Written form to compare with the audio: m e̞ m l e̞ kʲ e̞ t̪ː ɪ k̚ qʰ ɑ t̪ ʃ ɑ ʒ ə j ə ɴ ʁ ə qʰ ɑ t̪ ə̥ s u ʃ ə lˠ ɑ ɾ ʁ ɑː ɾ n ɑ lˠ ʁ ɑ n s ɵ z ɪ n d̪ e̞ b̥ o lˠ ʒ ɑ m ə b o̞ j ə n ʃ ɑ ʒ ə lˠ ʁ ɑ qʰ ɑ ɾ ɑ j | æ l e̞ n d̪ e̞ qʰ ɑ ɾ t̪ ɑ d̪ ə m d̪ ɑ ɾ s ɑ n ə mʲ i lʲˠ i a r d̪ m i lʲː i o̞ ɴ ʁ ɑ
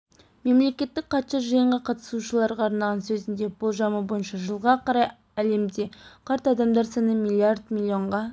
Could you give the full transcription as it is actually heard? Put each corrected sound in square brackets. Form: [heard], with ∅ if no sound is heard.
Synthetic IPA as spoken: m e̞ m l e̞ kʲ e̞ t̪ː ɪ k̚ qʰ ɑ t̪ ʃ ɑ ʒ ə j ə ɴ ʁ [ɑ] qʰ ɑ t̪ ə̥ s u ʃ ə lˠ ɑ ɾ ʁ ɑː ɾ n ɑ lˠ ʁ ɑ n s ɵ z ɪ n d̪ e̞ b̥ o lˠ ʒ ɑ m ə b o̞ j ə n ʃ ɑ ʒ ə lˠ ʁ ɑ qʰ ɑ ɾ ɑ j | æ l e̞ [m] d̪ e̞ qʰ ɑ ɾ t̪ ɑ d̪ [ɑ] m d̪ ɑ ɾ s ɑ n ə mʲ i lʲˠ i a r d̪ m i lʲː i o̞ ɴ ʁ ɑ